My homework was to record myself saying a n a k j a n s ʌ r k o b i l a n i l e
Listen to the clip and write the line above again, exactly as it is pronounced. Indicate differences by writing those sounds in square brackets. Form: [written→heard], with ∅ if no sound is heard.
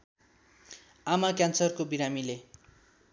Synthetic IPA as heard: a [n→m] a k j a n s ʌ r k o b i [l→ɾ] a [n→m] i l e